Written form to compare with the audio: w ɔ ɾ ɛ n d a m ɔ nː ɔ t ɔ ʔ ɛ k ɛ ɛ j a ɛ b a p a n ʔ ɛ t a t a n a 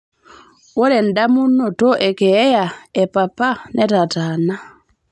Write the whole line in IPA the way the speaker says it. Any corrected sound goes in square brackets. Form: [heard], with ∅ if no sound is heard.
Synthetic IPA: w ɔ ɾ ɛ n d a m [u] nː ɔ t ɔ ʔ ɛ k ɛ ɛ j a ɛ [p] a p a n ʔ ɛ t a t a n a

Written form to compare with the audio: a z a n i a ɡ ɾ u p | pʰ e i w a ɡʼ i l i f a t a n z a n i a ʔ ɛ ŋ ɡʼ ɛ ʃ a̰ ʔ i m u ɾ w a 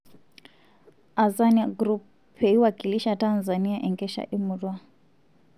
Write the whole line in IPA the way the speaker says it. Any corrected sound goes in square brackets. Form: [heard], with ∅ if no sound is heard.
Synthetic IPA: a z a n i a ɡ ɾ u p | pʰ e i w a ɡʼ i l i [ʃ] a t a n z a n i a ʔ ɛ ŋ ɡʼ ɛ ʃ a̰ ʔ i m u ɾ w a

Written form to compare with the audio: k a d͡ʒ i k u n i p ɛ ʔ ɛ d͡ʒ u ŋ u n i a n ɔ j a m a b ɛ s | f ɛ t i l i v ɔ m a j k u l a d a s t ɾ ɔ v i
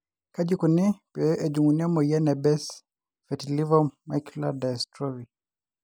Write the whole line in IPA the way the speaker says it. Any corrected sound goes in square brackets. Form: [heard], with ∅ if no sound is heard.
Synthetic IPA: k a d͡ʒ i k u n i p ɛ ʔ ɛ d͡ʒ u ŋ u n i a [m] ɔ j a [n] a b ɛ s | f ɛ t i l i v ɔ m a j k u l a d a s t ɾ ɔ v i

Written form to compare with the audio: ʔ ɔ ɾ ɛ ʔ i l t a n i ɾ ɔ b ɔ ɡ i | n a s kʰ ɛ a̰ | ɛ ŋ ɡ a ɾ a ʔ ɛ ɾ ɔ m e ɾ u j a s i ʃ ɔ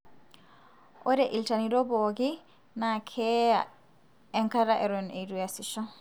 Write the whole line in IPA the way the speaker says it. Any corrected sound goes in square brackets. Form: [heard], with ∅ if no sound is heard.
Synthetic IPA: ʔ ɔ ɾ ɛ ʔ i l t a n i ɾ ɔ b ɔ ɡ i | n a [∅] kʰ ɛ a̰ | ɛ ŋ [k] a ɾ a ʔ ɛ ɾ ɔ [n] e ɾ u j a s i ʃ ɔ

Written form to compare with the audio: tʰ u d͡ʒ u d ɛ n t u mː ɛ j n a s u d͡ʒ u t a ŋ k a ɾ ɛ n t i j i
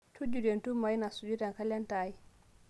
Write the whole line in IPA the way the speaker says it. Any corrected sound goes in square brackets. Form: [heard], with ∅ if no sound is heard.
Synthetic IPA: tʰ u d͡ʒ u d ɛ n t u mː [a] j n a s u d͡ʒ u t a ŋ k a [l] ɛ n t [a] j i

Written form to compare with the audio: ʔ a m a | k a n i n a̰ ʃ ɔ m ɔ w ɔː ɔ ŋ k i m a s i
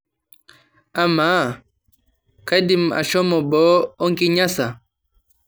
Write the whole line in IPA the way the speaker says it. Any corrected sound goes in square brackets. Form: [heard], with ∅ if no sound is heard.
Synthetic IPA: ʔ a m a | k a [d] i [m] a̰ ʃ ɔ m ɔ [b] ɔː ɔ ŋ k i [ɲ] a s [a]

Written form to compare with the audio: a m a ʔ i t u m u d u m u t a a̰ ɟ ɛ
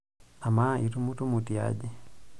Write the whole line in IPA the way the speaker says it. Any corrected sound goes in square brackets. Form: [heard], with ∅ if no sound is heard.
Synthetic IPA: a m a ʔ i t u m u [t] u m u t [i] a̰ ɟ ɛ

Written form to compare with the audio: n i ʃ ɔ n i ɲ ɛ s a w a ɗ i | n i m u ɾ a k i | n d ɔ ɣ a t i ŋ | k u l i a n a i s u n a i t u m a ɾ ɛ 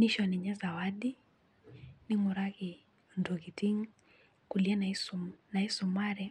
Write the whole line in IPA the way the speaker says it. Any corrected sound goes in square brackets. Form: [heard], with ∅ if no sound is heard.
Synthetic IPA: n i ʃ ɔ n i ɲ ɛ [z] a w a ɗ i | n i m u ɾ a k i | n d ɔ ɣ [i] t i ŋ | k u l i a n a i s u n a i [s] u m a ɾ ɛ

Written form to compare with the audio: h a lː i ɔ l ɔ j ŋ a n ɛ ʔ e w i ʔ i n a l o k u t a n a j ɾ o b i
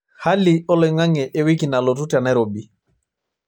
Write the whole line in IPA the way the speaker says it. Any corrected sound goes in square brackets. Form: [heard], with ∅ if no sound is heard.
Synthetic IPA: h a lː i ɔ l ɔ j ŋ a [ŋ] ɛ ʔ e w i [k] i n a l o [t] u t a n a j ɾ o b i

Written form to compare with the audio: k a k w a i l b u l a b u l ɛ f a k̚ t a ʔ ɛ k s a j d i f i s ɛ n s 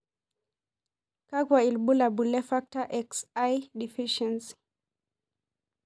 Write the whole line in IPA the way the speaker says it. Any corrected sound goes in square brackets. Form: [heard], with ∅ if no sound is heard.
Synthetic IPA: k a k w a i l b u l a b u l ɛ f a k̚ t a ʔ ɛ k s a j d i f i [ʃ] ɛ n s

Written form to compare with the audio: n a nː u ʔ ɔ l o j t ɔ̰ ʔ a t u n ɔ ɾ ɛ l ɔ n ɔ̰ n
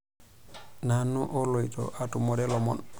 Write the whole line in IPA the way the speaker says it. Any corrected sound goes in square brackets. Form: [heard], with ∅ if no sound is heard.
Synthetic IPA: n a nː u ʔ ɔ l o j t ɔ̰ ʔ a t u [m] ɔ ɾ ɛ l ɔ [m] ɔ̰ n

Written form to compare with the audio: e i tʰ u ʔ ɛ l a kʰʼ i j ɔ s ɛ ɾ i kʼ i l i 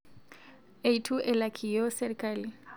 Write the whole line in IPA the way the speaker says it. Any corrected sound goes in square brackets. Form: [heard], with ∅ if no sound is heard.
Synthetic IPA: e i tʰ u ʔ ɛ l a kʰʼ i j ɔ s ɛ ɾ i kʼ [a] l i

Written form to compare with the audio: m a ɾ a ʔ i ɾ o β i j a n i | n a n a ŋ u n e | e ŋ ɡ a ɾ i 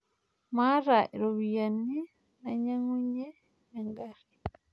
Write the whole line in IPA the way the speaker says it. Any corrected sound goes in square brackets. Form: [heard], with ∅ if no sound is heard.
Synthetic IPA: m a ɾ a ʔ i ɾ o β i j a n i | n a [ɲ] a ŋ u [ɲ] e | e ŋ ɡ a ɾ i

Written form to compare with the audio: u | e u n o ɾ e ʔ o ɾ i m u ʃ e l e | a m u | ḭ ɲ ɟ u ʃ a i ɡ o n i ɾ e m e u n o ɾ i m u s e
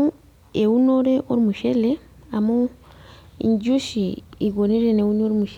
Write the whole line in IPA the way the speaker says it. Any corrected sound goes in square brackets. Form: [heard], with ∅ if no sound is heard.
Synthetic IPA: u | e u n o ɾ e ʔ o ɾ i m u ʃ e l e | a m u | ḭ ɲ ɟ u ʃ [i] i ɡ o n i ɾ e [n] e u n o ɾ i m u [ʃ] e

